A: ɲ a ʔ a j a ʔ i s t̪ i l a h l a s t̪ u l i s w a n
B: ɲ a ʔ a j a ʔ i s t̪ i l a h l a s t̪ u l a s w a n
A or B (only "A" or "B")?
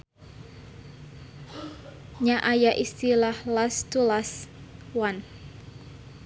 B